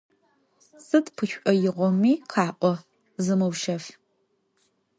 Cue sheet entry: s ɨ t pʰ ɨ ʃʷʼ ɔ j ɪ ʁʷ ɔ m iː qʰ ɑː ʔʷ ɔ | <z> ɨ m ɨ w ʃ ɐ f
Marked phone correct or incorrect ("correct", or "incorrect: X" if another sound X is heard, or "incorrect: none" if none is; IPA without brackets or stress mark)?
correct